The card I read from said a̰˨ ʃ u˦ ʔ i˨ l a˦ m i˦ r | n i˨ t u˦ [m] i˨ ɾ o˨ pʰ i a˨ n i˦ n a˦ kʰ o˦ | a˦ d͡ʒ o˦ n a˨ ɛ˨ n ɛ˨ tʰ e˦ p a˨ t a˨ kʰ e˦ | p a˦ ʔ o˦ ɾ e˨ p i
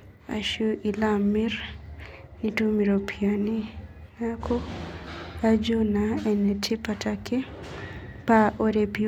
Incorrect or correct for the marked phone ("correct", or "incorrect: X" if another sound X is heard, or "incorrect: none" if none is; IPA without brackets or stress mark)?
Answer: correct